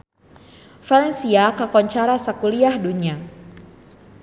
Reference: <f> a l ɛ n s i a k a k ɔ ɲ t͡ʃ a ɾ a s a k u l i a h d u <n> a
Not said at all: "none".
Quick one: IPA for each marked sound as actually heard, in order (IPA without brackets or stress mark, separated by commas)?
f, ɲ